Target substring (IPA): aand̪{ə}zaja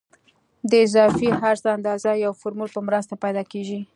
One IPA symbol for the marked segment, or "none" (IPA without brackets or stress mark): ɑ